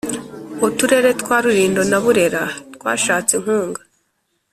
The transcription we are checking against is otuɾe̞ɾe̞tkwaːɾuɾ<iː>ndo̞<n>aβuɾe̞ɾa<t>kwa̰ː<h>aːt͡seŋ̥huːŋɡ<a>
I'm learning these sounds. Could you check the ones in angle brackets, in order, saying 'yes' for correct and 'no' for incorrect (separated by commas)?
yes, yes, yes, no, yes